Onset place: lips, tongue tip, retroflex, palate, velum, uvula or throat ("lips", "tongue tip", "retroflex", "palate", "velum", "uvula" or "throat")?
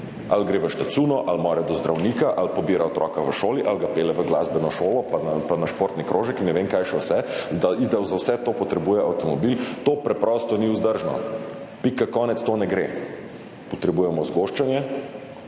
tongue tip